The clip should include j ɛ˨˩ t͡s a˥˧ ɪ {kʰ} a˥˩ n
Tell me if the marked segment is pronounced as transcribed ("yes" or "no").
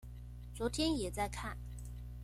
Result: yes